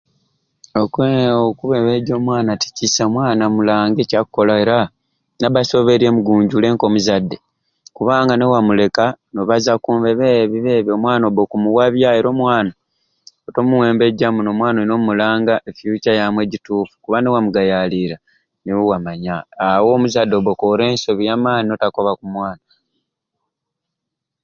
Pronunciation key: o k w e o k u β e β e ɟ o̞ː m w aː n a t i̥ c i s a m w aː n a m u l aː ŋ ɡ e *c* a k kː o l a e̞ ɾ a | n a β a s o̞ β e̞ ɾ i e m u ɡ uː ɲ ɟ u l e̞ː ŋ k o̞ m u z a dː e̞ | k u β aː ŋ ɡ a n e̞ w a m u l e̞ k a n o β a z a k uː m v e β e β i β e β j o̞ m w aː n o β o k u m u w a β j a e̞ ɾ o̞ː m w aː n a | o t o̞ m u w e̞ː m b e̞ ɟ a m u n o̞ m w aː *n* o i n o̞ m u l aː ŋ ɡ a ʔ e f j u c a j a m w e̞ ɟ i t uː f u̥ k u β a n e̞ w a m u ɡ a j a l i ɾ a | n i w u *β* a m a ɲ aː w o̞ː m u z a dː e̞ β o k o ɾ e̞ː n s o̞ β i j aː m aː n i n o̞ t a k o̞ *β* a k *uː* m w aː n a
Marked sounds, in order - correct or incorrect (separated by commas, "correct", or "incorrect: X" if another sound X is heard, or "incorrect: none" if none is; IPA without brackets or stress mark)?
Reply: correct, correct, incorrect: w, correct, incorrect: u